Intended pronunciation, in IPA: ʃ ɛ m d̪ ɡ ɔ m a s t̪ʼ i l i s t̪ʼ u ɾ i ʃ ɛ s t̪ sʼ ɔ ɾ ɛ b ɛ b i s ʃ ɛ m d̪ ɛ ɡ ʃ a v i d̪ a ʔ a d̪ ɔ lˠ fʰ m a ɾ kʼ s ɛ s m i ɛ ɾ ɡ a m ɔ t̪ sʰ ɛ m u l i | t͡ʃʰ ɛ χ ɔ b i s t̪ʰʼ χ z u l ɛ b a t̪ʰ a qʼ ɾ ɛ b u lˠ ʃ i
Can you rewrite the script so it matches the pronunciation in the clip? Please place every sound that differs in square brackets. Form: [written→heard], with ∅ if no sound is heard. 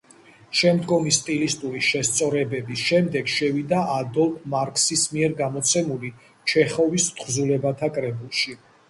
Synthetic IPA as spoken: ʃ ɛ m d̪ ɡ ɔ m [a→i] s t̪ʼ i l i s t̪ʼ u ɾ i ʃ ɛ s t̪ sʼ ɔ ɾ ɛ b ɛ b i s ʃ ɛ m d̪ ɛ ɡ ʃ [a→ɛ] v i d̪ a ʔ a d̪ ɔ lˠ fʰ m a ɾ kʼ s [ɛ→i] s m i ɛ ɾ ɡ a m ɔ t̪ sʰ ɛ m u l i | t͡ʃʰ ɛ χ ɔ [b→v] i s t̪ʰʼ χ z u l ɛ b a t̪ʰ a [qʼ→kʼ] ɾ ɛ b u lˠ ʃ i

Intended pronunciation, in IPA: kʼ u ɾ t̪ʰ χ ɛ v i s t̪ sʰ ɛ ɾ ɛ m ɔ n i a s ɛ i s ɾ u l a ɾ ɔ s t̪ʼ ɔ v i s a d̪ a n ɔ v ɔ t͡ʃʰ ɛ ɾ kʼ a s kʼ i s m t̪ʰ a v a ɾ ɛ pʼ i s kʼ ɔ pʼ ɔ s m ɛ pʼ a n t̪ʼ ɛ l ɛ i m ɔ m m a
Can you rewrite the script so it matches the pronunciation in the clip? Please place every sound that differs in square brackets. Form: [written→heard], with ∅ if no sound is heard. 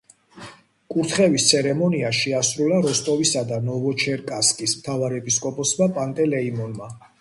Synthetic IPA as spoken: kʼ u ɾ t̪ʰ χ ɛ v i s t̪ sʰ ɛ ɾ ɛ m ɔ n i a [s→ʃ] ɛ [i→a] s ɾ u l a ɾ ɔ s t̪ʼ ɔ v i s a d̪ a n ɔ v ɔ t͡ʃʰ ɛ ɾ kʼ a s kʼ i s m t̪ʰ a v a ɾ ɛ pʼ i s kʼ ɔ pʼ ɔ s m [ɛ→a] pʼ a n t̪ʼ ɛ l ɛ i m ɔ [m→n] m a

